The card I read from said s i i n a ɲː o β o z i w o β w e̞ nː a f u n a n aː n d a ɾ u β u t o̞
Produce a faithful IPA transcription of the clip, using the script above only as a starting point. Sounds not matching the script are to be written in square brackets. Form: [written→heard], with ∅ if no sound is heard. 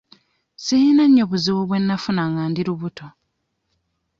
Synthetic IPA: s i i n a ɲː o β [o→u] z i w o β w e̞ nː a f u n a [n→ŋ] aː n d [a→i] ɾ u β u t o̞